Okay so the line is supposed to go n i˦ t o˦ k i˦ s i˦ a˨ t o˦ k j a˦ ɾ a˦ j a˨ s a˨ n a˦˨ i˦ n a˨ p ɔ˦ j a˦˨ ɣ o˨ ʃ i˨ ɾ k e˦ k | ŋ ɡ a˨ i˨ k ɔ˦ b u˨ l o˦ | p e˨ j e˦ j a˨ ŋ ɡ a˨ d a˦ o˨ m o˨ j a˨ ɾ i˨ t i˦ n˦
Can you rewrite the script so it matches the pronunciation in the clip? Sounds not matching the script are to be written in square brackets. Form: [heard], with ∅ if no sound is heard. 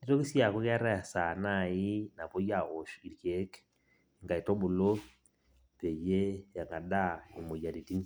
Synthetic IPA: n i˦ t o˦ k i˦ s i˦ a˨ [k] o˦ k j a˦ ɾ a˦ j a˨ s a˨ n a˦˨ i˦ n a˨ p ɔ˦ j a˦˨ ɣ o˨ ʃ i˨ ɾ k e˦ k | ŋ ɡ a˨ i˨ [t] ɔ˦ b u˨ l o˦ | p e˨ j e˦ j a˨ ŋ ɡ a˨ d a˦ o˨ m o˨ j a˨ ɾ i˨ t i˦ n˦

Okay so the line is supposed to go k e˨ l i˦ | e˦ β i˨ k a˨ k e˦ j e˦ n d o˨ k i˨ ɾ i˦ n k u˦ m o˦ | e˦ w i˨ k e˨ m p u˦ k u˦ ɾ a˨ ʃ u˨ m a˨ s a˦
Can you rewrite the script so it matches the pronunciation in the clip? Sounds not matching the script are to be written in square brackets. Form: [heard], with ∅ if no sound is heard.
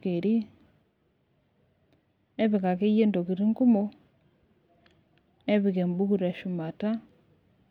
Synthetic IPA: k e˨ [ɾ] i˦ | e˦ β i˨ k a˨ k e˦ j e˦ n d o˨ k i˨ ɾ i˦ [ŋ] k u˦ m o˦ | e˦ [β] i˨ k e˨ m [b] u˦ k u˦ ɾ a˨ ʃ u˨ m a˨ [t] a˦

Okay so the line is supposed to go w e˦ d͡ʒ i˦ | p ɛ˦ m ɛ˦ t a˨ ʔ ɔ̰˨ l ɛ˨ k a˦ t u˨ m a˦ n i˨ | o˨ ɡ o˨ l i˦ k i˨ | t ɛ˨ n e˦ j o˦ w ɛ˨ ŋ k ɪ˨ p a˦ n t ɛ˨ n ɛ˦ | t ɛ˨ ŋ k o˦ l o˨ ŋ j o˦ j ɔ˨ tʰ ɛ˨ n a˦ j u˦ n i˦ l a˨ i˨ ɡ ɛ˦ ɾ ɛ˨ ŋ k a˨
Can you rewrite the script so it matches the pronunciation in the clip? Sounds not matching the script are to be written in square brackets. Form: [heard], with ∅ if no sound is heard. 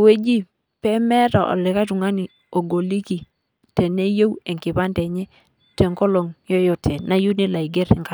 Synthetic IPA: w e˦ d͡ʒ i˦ | p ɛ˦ m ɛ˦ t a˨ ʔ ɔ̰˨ l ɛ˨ k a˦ t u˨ [ŋ] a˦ n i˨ | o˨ ɡ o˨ l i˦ k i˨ | t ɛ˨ n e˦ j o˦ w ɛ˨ ŋ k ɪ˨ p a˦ n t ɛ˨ [ɲ] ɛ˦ | t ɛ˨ ŋ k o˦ l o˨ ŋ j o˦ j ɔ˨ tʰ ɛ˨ n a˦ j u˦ n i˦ l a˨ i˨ ɡ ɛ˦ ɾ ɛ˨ ŋ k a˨

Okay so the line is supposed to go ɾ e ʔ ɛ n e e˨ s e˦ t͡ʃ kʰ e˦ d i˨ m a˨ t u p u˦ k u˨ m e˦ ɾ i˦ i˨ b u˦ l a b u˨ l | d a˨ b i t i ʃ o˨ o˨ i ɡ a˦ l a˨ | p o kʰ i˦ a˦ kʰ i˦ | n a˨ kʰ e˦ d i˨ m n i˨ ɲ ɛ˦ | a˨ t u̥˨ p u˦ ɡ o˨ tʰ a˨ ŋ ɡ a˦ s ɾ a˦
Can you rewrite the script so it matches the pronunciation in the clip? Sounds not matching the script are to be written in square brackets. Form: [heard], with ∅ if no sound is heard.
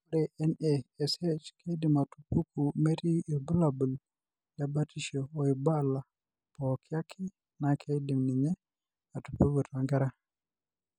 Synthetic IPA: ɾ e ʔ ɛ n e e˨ s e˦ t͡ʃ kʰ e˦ d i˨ m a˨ t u p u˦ k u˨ m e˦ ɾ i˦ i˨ b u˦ l a b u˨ l | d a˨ b [a] t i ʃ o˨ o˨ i [b] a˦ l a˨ | p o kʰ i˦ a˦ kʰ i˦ | n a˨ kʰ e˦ d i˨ m n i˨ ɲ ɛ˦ | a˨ t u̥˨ p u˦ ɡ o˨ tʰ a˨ ŋ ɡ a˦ [∅] ɾ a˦

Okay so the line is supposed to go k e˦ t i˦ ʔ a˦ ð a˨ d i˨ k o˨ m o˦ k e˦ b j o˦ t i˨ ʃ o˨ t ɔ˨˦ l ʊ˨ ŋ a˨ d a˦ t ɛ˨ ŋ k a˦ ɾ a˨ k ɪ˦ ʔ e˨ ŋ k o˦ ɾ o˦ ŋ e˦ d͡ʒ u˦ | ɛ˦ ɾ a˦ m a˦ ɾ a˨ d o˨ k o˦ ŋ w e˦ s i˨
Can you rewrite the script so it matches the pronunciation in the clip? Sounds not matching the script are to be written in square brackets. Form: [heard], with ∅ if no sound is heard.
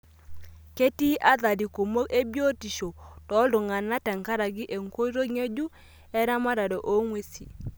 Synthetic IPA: k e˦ t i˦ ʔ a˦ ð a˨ d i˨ k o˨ m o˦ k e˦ b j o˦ t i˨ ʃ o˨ t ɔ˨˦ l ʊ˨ ŋ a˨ [n] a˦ t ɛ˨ ŋ k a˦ ɾ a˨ [ɡ] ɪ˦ ʔ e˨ ŋ k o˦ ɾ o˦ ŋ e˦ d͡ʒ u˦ | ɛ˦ ɾ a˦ m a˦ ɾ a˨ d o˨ [ʔ] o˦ ŋ w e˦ s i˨

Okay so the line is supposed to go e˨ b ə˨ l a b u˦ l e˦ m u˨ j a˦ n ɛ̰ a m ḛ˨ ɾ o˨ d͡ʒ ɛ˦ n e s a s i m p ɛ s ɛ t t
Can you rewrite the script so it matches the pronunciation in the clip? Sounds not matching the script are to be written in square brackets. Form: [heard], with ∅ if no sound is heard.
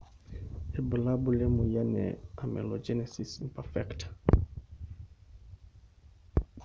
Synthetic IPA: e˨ b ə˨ l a b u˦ l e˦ m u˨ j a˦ n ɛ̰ a m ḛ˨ [l] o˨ d͡ʒ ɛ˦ n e s [i] s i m p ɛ [f] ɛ [k] t

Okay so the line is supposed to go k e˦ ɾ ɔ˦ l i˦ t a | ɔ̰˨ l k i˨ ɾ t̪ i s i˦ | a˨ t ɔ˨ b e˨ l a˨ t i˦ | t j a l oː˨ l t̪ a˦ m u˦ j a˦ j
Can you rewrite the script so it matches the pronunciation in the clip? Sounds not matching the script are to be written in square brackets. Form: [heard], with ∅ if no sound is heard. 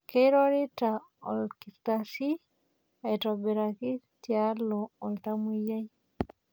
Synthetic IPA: k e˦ ɾ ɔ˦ [ɾ] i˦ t a | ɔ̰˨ l k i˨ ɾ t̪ [a] s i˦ | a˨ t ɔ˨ b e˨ [ɾ] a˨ [k] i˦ | t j a l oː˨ l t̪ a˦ m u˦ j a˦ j

